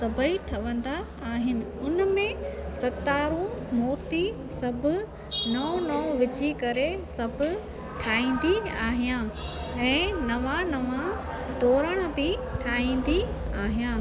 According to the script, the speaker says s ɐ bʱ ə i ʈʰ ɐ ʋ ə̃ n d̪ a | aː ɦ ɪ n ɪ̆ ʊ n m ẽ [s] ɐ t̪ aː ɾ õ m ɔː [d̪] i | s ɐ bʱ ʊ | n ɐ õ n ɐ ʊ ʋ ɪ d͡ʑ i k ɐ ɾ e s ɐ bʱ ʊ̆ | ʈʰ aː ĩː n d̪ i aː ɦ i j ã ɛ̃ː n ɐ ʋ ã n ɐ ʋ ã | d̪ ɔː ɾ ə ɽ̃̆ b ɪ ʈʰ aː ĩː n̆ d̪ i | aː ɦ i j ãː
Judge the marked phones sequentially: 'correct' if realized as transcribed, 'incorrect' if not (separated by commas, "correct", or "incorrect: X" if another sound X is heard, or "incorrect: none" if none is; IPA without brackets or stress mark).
correct, incorrect: t̪